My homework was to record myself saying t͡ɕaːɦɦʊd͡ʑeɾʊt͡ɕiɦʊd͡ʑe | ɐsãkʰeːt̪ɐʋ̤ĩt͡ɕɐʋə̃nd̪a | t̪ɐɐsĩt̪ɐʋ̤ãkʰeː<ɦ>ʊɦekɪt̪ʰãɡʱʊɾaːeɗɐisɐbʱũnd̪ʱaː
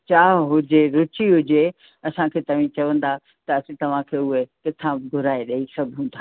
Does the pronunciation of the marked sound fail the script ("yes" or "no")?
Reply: yes